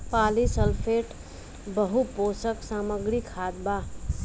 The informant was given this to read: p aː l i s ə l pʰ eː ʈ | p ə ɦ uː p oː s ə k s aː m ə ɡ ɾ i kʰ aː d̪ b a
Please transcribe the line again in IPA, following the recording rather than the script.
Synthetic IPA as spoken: p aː l i s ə l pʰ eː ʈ | b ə ɦ u p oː s ə k s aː m ə ɡ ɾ i kʰ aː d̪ b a